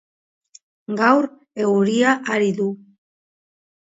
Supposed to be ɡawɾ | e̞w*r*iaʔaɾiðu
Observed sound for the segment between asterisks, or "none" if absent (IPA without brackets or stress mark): ɾ